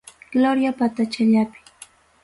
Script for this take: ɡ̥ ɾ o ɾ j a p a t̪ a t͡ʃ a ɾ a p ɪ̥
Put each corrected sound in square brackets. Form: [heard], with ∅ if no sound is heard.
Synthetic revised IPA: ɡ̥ [l] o ɾ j a p a t̪ a t͡ʃ a [ʎ] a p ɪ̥

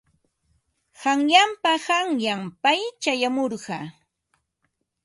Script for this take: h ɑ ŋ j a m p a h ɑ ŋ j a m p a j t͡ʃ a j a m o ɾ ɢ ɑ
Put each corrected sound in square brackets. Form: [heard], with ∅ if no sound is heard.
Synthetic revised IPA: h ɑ ŋ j a m p a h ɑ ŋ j a m p a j t͡ʃ a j a m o ɾ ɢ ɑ

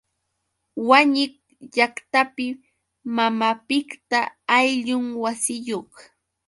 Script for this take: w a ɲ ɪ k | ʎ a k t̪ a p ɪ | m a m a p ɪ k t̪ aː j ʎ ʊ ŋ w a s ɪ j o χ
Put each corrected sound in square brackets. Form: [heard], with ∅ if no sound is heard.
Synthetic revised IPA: w a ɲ ɪ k | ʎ a k t̪ a p ɪ | m a m a p ɪ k t̪ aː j ʎ ʊ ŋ w a s ɪ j o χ

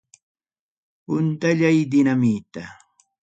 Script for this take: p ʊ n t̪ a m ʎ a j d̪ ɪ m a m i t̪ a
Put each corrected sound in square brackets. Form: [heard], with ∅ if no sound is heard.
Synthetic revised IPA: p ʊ n t̪ a [∅] ʎ a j d̪ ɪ [n] a m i t̪ a

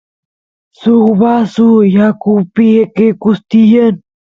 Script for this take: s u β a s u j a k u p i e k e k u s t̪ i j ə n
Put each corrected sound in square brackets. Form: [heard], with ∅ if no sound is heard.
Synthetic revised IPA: s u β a s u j a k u p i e k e k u s t̪ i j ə n

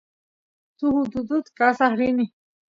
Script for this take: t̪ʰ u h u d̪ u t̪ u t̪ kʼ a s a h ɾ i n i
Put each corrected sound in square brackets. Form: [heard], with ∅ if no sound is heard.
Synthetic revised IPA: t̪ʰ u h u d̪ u [d̪] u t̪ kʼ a s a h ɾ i n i

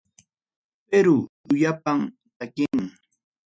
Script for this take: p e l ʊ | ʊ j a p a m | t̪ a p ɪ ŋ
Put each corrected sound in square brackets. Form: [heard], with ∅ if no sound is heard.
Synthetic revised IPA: p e [ɾ] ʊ | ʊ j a p a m | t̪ a [k] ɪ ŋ

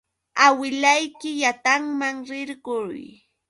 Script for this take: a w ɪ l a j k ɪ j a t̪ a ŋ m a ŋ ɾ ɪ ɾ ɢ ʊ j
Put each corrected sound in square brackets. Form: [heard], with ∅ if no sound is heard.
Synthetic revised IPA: a w ɪ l a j k ɪ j a t̪ a ŋ m a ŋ ɾ ɪ ɾ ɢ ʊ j

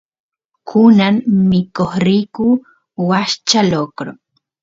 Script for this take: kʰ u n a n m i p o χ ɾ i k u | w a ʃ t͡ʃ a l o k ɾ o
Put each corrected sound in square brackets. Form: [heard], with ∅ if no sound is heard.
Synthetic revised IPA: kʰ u n a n m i [k] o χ ɾ i k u | w a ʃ t͡ʃ a l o k ɾ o

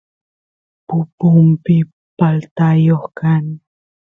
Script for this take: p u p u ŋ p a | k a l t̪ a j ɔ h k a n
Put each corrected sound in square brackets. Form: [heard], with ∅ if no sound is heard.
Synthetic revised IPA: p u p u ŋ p [i] | [p] a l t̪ a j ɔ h k a n

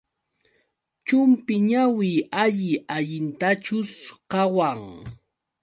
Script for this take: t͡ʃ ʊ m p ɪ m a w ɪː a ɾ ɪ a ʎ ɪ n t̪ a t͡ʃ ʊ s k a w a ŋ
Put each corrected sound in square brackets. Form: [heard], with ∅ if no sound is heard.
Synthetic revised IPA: t͡ʃ ʊ m p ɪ [ɲ] a w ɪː a [ʎ] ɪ a ʎ ɪ n t̪ a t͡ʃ ʊ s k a w a ŋ

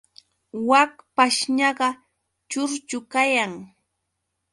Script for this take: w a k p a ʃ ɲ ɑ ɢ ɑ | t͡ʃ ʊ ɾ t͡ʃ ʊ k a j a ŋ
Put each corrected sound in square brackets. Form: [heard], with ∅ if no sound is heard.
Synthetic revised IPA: w a k p a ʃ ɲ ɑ ɢ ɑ | t͡ʃ ʊ ɾ t͡ʃ ʊ k a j a ŋ

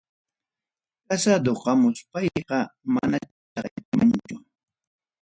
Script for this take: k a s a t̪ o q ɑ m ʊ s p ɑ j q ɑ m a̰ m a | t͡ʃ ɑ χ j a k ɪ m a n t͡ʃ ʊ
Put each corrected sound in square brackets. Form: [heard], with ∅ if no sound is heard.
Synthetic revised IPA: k a s a [d̪] o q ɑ m ʊ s p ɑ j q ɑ m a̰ [n] a | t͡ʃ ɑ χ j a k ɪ m a n t͡ʃ ʊ

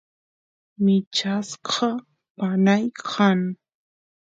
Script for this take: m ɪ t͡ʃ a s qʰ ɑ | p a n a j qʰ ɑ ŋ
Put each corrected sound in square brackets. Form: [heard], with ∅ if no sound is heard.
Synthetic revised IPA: m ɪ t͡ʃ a s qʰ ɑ | p a n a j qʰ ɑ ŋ

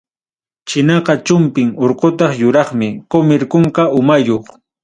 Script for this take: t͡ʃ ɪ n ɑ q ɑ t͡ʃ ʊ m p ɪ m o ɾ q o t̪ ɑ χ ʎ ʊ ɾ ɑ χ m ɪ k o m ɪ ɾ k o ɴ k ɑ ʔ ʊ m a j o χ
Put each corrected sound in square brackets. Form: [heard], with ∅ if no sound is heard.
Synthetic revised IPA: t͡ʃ ɪ n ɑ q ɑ t͡ʃ ʊ m p ɪ [ŋ] o ɾ q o t̪ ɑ χ [j] ʊ ɾ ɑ χ m ɪ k o m ɪ ɾ k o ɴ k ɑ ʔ ʊ m a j o χ

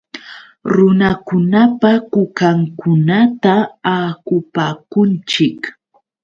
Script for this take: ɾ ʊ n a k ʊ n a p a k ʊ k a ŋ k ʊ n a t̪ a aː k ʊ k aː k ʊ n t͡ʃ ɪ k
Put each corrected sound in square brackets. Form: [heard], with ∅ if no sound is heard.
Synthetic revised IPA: ɾ ʊ n a k ʊ n a p a k ʊ k a ŋ k ʊ n a t̪ a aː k ʊ [p] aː k ʊ n t͡ʃ ɪ k

